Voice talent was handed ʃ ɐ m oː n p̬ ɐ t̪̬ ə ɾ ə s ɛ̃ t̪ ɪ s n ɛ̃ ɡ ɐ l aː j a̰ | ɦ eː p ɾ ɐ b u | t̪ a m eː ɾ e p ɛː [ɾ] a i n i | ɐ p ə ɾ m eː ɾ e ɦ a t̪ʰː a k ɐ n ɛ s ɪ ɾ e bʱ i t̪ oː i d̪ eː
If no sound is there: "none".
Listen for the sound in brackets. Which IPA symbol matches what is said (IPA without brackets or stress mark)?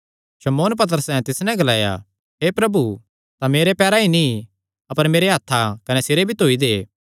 ɾ